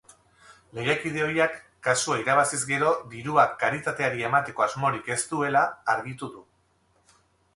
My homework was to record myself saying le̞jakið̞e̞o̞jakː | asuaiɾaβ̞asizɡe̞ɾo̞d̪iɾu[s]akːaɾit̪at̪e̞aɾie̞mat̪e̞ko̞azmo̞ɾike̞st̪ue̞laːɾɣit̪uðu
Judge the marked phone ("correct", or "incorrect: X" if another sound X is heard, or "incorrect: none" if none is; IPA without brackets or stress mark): incorrect: none